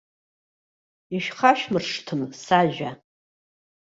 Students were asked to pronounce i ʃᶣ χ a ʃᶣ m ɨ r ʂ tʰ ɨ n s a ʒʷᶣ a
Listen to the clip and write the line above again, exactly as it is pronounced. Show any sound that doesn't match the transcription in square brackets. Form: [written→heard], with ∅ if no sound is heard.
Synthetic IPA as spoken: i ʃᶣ χ a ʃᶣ m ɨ r ʂ tʰ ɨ [n→m] s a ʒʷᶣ a